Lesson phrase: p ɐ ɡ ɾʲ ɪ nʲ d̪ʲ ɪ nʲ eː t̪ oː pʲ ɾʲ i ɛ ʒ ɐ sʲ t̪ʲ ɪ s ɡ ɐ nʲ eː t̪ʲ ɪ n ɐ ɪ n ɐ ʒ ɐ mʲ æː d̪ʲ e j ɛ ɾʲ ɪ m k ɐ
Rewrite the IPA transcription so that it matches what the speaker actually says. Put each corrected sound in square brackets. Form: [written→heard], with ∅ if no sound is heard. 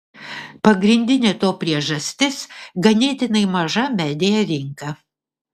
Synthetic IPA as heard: p ɐ ɡ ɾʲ ɪ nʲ d̪ʲ ɪ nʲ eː t̪ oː pʲ ɾʲ i ɛ ʒ ɐ sʲ t̪ʲ ɪ s ɡ ɐ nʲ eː t̪ʲ ɪ n ɐ ɪ [n→m] ɐ ʒ ɐ mʲ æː d̪ʲ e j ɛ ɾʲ ɪ [m→ŋ] k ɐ

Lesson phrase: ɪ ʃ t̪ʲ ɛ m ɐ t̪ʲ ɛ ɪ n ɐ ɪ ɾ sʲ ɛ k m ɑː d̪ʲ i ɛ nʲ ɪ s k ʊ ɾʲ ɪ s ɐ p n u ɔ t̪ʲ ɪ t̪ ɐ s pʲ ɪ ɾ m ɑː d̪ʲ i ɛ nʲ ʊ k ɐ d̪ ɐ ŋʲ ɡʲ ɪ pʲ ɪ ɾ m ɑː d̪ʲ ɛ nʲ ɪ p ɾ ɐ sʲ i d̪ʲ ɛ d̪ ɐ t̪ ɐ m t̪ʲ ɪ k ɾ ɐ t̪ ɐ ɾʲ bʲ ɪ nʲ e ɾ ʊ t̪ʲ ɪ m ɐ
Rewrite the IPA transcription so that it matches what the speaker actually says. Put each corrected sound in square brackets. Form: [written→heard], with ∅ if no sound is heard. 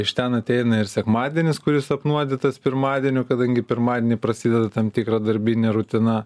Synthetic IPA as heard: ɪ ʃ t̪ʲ ɛ [m→n] ɐ t̪ʲ ɛ ɪ n ɐ ɪ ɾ sʲ ɛ k m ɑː d̪ʲ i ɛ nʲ ɪ s k ʊ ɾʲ ɪ s ɐ p n u ɔ [t̪ʲ→d̪ʲ] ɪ t̪ ɐ s pʲ ɪ ɾ m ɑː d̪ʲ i ɛ nʲ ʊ k ɐ d̪ ɐ ŋʲ ɡʲ ɪ pʲ ɪ ɾ m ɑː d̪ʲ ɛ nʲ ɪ p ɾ ɐ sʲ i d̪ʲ ɛ d̪ ɐ t̪ ɐ m t̪ʲ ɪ k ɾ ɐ [t̪→d̪] ɐ ɾʲ bʲ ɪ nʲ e ɾ ʊ t̪ʲ ɪ [m→n] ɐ

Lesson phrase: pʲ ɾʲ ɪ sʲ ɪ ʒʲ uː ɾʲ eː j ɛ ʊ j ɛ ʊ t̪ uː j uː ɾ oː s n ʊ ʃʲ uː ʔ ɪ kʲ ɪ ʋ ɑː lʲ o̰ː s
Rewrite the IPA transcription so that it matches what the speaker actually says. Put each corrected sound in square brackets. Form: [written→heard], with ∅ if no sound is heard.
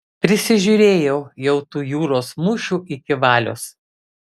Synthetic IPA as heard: pʲ ɾʲ ɪ sʲ ɪ ʒʲ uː ɾʲ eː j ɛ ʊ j ɛ ʊ t̪ uː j uː ɾ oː s [n→m] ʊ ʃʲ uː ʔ ɪ kʲ ɪ ʋ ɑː lʲ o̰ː s

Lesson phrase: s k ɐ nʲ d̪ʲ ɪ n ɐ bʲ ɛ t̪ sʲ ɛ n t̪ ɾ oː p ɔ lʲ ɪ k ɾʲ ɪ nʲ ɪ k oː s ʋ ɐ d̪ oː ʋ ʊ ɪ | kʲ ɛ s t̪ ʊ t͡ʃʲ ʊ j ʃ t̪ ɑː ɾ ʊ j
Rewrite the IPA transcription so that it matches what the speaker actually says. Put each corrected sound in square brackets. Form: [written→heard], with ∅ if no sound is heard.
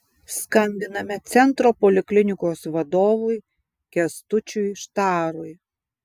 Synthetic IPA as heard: s k ɐ nʲ d̪ʲ ɪ n ɐ [bʲ→mʲ] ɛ t̪ sʲ ɛ n t̪ ɾ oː p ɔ lʲ ɪ k [ɾʲ→lʲ] ɪ nʲ ɪ k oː s ʋ ɐ d̪ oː ʋ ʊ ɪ | kʲ ɛ s t̪ ʊ t͡ʃʲ ʊ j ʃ t̪ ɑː ɾ ʊ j

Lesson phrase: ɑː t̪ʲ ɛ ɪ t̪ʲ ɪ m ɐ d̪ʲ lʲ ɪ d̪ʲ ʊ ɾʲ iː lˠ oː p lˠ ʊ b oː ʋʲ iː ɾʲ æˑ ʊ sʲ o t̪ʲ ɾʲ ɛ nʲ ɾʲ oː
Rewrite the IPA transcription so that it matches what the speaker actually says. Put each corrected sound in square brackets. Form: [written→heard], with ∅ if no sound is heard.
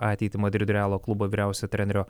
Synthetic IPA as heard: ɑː t̪ʲ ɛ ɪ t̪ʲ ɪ m ɐ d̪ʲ [lʲ→ɾʲ] ɪ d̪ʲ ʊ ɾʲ [iː→æː] lˠ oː [p→k] lˠ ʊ b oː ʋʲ iː ɾʲ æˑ ʊ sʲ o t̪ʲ ɾʲ ɛ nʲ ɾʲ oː

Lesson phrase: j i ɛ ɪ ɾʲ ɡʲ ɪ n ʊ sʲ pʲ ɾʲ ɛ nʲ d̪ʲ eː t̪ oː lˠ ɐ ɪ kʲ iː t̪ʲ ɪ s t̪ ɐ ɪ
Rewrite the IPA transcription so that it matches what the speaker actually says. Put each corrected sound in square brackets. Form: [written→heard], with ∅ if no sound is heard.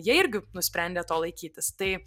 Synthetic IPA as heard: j i ɛ ɪ ɾʲ ɡʲ ɪ n ʊ sʲ pʲ ɾʲ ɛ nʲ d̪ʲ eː t̪ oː lˠ ɐ ɪ kʲ iː t̪ʲ ɪ s t̪ ɐ ɪ

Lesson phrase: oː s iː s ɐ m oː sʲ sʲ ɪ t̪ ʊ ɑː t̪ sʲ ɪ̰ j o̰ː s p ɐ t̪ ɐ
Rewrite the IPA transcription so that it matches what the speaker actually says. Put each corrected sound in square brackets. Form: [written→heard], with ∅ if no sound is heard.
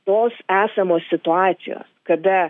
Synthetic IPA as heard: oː s [iː→æː] s ɐ m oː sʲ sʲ ɪ t̪ ʊ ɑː t̪ sʲ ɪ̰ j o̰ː s [p→k] ɐ [t̪→d̪] ɐ

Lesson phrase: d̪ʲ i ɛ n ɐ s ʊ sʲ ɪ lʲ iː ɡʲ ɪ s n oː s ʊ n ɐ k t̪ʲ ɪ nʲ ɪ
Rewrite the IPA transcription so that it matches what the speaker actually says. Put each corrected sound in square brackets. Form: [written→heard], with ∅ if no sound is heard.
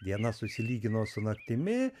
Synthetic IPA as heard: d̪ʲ i ɛ n ɐ s ʊ sʲ ɪ lʲ iː ɡʲ ɪ [s→∅] n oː s ʊ n ɐ k t̪ʲ ɪ [nʲ→mʲ] ɪ

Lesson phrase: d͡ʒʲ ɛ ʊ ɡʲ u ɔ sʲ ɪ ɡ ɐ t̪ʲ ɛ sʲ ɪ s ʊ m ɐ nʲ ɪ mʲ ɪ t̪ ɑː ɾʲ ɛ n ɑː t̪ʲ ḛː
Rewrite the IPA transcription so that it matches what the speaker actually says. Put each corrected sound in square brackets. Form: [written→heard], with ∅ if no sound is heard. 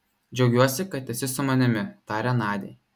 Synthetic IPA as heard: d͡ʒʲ ɛ ʊ ɡʲ u ɔ sʲ ɪ [ɡ→k] ɐ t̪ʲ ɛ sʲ ɪ s ʊ m ɐ nʲ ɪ mʲ ɪ t̪ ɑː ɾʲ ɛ n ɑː [t̪ʲ→d̪ʲ] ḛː

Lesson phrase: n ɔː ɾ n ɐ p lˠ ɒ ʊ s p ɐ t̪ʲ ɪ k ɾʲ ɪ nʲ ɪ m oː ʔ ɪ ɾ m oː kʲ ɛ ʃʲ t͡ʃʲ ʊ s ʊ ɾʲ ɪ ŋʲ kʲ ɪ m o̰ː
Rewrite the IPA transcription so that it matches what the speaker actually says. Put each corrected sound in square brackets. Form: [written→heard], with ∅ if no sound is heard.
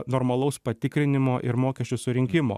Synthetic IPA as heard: n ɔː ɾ [n→m] ɐ [p→∅] lˠ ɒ ʊ s p ɐ t̪ʲ ɪ k ɾʲ ɪ nʲ ɪ m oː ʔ ɪ ɾ m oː kʲ ɛ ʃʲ t͡ʃʲ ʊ s ʊ ɾʲ ɪ ŋʲ kʲ ɪ m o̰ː

